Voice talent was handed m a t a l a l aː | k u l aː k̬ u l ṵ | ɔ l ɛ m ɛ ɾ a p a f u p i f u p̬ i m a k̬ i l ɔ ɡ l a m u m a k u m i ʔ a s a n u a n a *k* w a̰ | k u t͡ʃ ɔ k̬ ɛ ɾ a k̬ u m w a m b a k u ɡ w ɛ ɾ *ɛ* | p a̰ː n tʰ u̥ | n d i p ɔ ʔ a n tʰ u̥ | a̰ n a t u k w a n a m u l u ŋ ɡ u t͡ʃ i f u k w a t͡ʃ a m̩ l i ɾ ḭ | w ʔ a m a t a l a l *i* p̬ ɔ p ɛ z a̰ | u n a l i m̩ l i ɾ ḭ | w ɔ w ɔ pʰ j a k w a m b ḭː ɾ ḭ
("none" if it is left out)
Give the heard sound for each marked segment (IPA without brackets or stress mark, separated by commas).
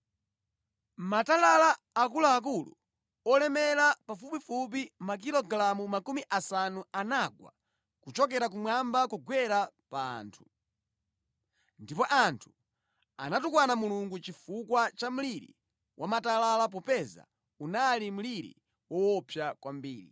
ɡ, a, a